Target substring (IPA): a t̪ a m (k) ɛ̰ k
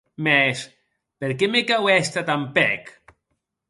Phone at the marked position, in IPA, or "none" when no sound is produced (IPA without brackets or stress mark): p